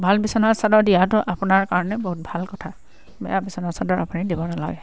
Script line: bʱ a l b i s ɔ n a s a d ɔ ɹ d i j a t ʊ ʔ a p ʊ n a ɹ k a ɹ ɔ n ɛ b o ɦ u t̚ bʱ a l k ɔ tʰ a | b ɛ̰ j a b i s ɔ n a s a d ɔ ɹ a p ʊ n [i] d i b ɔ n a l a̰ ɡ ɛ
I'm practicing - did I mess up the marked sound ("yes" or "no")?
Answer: no